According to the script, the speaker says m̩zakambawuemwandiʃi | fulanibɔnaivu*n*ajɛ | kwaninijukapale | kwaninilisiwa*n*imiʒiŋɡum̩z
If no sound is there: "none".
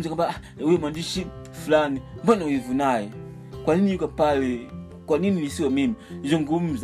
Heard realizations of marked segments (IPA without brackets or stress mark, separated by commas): n, m